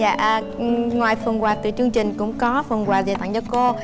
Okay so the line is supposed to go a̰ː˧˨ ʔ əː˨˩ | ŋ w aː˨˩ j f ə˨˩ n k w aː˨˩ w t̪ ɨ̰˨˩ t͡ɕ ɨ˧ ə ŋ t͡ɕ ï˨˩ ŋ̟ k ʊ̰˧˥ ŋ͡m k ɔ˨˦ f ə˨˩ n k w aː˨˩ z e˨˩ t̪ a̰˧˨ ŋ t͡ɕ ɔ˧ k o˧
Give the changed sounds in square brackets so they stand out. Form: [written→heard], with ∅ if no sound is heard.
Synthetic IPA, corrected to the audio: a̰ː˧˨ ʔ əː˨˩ | ŋ w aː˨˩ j f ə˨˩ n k w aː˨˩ [w→∅] t̪ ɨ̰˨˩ t͡ɕ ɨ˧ ə ŋ t͡ɕ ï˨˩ ŋ̟ k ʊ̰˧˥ ŋ͡m k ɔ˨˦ f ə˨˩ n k w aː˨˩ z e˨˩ t̪ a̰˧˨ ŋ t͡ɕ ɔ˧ k o˧